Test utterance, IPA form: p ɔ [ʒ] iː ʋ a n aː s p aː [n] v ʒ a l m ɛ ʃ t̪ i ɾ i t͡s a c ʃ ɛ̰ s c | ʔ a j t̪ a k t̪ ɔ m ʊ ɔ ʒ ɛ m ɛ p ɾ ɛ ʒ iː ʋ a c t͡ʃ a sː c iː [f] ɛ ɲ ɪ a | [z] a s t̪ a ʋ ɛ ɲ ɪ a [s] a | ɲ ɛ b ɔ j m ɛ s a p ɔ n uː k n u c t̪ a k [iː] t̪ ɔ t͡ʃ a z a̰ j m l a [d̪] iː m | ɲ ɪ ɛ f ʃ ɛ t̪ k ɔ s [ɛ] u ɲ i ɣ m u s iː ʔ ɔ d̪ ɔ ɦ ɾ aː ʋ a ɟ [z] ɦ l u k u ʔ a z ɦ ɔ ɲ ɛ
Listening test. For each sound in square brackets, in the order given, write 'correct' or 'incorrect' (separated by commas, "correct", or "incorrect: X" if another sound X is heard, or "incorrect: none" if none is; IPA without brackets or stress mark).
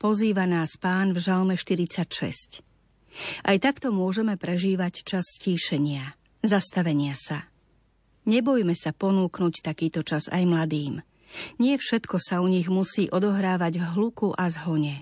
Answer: incorrect: z, correct, incorrect: ʃ, correct, correct, correct, correct, incorrect: a, incorrect: v